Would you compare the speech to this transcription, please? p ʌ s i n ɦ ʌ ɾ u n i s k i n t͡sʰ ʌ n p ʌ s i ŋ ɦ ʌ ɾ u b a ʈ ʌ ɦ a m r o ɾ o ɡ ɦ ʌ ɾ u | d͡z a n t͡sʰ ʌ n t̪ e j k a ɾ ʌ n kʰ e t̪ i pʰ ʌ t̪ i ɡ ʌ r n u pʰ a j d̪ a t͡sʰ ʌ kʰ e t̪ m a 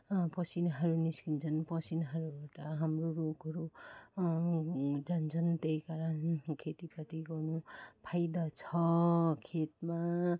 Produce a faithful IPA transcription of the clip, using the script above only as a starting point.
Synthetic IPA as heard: p ʌ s i n ɦ ʌ ɾ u n i s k i n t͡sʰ ʌ n p ʌ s i n ɦ ʌ ɾ u b a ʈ ʌ ɦ a m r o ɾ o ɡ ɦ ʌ ɾ u | d͡z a n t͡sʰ ʌ n t̪ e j k a ɾ ʌ n kʰ e t̪ i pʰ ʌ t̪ i ɡ ʌ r n u pʰ a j d̪ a t͡sʰ ʌ kʰ e t̪ m a

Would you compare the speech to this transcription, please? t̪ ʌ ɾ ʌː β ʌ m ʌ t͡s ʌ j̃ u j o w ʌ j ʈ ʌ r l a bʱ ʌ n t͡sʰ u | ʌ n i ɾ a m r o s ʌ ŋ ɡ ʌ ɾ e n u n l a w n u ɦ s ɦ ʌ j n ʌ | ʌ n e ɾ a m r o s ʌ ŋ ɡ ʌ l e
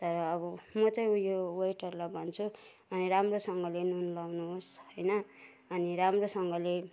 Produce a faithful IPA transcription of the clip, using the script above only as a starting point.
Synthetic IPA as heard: t̪ ʌ ɾ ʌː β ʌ m ʌ t͡s ʌ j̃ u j o w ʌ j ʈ ʌ r l a bʱ ʌ n t͡sʰ u | ʌ n i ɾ a m r o s ʌ ŋ ɡ ʌ l e n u n l a w n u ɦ s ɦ ʌ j n ʌ | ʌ n i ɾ a m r o s ʌ ŋ ɡ ʌ l e

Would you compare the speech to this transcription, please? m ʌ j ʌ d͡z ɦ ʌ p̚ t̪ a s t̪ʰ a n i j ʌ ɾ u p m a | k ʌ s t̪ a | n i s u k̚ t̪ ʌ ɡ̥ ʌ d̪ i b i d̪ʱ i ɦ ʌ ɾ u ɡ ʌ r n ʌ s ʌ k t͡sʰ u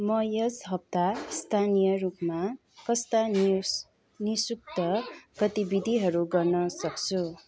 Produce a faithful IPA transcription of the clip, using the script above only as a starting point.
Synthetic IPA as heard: m ʌ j ʌ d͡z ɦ ʌ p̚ t̪ a s t̪ʰ a n i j ʌ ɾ u p m a | k ʌ s t̪ a | n i s u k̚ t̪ ʌ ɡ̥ ʌ t̪ i b i d̪ʱ i ɦ ʌ ɾ u ɡ ʌ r n ʌ s ʌ k t͡sʰ u

